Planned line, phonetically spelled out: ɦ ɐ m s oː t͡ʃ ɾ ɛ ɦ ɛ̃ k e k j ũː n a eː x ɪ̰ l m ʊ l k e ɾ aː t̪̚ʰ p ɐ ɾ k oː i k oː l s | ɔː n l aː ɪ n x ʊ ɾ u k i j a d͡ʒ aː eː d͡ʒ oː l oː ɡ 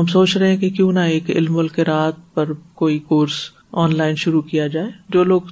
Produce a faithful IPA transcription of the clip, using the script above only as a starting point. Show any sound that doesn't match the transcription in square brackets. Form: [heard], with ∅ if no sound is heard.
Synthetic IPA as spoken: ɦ ɐ m s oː t͡ʃ ɾ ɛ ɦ ɛ̃ k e k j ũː n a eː [k] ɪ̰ l m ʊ l k e ɾ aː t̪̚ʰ p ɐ ɾ k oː i k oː [ɾ] s | ɔː n l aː ɪ n [ʃ] ʊ ɾ u k i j a d͡ʒ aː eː d͡ʒ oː l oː ɡ